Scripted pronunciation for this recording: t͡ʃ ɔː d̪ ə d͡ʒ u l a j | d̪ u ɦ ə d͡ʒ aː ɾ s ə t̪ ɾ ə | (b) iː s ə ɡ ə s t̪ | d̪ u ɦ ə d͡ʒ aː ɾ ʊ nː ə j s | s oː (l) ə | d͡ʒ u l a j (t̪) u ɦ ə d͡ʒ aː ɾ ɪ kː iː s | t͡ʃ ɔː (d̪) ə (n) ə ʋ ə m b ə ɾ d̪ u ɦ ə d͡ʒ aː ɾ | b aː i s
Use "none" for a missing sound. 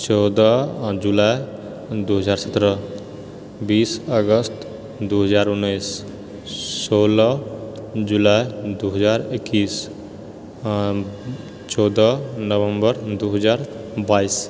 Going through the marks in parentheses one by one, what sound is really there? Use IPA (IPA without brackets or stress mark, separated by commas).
b, l, d̪, d̪, n